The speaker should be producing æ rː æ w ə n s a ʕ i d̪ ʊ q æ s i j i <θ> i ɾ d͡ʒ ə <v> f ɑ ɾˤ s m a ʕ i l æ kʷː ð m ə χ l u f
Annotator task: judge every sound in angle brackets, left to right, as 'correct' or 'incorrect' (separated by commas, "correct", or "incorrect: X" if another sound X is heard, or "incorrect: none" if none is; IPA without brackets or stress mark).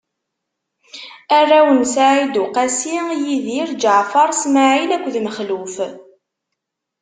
incorrect: ð, incorrect: ʕ